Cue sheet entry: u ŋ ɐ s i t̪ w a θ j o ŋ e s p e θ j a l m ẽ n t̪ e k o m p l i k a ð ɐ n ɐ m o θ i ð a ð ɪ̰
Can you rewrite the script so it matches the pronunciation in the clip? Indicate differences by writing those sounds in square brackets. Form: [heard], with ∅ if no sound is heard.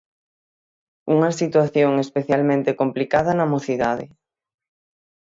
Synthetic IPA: u ŋ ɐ s i t̪ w a θ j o ŋ e s p e θ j a l m ẽ n t̪ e k o m p l i k a ð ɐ n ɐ m o θ i ð a ð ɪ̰